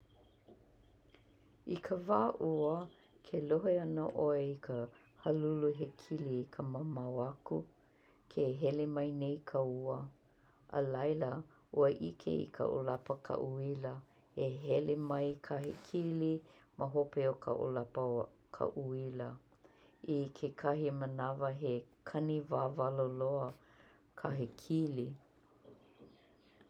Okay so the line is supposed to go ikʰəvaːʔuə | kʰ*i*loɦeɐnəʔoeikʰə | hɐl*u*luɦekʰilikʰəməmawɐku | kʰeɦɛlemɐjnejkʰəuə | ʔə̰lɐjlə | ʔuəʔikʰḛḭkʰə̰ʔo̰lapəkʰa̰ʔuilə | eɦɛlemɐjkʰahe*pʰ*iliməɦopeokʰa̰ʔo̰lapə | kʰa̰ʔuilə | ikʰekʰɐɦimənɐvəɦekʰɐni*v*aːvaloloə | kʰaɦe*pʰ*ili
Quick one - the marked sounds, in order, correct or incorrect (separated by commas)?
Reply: incorrect, correct, incorrect, correct, incorrect